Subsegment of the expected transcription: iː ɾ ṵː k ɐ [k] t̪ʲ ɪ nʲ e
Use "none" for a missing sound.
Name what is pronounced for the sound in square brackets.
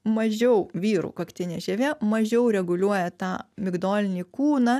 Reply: k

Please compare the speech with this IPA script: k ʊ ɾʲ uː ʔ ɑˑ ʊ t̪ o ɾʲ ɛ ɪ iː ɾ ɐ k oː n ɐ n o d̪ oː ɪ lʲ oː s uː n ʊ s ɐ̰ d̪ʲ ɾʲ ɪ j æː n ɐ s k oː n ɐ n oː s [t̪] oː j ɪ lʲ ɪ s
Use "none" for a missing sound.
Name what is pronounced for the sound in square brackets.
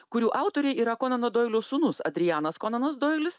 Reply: d̪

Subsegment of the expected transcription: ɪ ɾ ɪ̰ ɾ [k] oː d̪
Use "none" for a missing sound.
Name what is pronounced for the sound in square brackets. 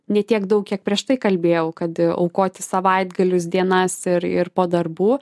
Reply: p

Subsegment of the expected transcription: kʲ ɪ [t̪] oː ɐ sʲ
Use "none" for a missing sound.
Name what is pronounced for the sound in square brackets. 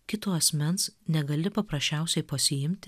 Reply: t̪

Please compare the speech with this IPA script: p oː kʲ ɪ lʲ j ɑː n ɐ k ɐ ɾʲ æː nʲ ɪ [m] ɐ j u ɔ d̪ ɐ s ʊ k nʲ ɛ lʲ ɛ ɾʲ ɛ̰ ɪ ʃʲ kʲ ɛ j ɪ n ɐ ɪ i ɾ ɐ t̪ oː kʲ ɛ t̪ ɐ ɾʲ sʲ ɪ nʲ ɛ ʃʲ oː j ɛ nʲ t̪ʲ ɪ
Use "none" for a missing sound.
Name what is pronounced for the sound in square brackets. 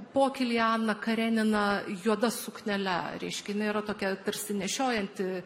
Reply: n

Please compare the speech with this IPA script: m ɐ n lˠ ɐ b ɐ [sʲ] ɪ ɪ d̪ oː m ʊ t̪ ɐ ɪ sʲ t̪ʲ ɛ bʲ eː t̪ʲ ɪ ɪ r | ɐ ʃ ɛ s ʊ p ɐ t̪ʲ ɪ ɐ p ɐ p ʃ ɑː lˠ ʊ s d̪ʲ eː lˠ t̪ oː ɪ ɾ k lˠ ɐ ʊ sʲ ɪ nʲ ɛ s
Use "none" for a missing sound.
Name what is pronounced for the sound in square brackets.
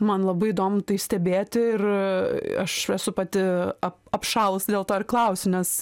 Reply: none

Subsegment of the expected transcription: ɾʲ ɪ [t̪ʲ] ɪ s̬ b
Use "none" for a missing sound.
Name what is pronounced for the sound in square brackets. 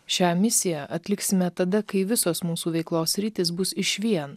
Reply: t̪ʲ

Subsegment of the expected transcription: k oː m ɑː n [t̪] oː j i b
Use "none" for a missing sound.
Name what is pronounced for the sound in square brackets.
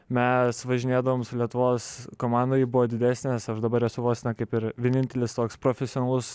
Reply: d̪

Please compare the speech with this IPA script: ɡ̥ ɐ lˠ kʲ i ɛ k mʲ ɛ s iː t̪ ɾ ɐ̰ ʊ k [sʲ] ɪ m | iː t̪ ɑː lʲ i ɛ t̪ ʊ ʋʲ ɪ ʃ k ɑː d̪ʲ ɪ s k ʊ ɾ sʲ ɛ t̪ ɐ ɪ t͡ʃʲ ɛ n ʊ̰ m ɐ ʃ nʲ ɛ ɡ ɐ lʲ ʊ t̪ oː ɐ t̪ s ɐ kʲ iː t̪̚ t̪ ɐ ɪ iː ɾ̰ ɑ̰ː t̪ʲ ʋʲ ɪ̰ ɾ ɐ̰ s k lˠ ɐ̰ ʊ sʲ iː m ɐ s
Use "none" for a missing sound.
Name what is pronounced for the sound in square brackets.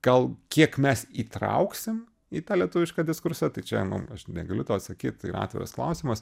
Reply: sʲ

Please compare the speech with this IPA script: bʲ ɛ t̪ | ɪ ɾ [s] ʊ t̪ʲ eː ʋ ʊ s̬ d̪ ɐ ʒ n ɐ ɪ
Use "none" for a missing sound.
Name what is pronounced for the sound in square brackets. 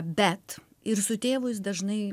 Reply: s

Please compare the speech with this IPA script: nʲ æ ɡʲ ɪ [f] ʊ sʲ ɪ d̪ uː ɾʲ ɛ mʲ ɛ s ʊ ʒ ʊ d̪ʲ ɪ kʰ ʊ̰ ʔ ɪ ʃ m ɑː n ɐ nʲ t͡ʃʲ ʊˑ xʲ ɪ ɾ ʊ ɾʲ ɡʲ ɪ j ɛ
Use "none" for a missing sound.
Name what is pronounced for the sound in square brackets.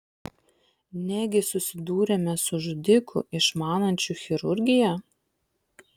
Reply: s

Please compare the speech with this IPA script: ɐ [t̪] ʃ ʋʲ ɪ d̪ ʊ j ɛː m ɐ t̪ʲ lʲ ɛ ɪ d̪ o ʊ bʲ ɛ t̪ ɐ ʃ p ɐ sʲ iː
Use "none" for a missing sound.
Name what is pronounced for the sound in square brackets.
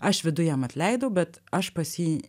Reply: none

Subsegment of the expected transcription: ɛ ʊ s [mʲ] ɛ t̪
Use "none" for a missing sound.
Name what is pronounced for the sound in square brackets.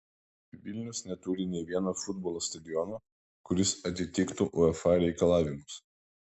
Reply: nʲ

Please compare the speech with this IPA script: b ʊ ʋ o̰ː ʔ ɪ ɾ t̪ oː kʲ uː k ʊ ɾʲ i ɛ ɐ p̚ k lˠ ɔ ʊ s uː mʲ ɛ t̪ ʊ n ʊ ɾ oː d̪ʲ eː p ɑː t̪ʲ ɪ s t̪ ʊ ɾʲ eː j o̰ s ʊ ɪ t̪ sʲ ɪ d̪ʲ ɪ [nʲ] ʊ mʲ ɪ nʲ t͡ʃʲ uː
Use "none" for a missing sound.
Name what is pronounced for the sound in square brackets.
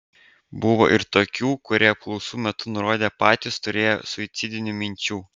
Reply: nʲ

